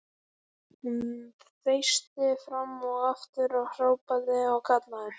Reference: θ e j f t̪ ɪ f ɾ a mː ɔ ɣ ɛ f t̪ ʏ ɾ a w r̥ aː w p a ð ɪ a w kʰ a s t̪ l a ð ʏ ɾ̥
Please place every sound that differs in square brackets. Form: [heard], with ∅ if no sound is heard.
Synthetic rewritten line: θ e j [s] t̪ ɪ f ɾ a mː ɔ ɣ [a] f t̪ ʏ ɾ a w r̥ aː w p a ð ɪ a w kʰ a [∅] t̪ l a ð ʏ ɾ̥